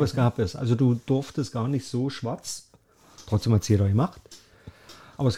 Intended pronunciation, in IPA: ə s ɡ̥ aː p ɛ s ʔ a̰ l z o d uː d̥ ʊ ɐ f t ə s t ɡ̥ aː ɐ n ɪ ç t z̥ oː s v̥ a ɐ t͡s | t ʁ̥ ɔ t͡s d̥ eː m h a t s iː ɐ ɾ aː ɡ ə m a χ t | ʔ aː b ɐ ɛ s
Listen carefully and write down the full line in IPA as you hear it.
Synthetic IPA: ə s ɡ̥ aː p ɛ s ʔ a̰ l z o d uː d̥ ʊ ɐ f t ə s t ɡ̥ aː ɐ n ɪ ç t z̥ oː ʃ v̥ a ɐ t͡s | t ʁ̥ ɔ t͡s d̥ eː m h a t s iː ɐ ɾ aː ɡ ə m a χ t | ʔ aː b ɐ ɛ s